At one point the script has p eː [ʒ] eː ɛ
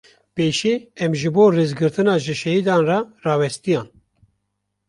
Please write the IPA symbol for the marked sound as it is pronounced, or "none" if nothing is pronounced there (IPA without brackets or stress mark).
ʃ